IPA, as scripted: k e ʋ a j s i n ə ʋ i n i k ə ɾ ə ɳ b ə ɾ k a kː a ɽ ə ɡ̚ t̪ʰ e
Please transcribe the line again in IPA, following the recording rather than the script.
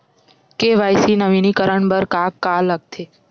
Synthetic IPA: k e ʋ a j s i n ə ʋ i n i k ə ɾ ə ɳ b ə ɾ k a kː a l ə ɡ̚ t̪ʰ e

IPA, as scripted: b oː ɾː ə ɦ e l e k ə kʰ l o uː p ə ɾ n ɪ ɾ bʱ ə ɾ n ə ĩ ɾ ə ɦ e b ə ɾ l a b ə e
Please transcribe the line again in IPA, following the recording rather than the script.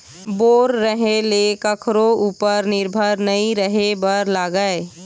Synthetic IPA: b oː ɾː ə ɦ e l e k ə kʰ ɾ o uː p ə ɾ n ɪ ɾ bʱ ə ɾ n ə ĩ ɾ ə ɦ e b ə ɾ l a ɡ ə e

